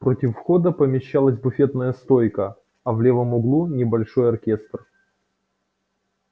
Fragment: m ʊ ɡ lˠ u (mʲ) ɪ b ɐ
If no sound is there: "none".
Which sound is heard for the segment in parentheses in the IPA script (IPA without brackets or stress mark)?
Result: nʲ